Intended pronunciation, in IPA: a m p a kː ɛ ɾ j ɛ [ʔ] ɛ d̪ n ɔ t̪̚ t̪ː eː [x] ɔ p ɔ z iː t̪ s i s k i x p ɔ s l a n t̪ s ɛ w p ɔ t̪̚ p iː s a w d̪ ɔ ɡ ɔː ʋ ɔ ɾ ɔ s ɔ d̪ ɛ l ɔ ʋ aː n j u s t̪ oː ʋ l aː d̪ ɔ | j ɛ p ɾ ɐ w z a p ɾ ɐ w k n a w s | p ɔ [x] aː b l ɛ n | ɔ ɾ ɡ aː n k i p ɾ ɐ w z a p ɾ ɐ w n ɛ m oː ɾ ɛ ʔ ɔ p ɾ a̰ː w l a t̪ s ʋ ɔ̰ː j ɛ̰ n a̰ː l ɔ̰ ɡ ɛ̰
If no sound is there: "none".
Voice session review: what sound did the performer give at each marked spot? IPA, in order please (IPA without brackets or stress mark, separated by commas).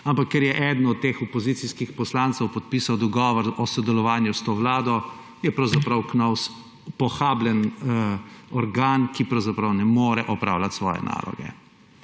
ʔ, x, x